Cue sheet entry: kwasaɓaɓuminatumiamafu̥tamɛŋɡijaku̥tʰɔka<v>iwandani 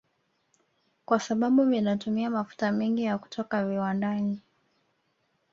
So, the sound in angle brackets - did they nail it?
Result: yes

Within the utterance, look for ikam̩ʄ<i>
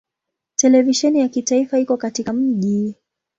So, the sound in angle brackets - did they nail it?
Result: yes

